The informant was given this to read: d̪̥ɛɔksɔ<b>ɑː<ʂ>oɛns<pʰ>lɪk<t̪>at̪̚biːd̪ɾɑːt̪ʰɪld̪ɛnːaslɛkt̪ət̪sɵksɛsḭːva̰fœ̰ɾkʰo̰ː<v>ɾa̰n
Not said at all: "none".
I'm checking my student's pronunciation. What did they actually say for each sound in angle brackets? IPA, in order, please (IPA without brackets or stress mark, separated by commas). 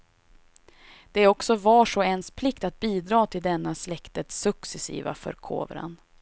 v, ʂ, pʰ, t̪, v